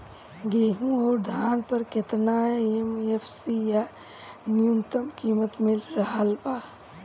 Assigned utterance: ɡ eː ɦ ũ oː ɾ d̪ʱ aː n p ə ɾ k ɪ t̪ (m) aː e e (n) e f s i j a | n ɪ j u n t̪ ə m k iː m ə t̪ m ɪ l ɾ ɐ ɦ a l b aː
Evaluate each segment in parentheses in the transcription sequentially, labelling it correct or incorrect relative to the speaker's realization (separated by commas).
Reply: incorrect, incorrect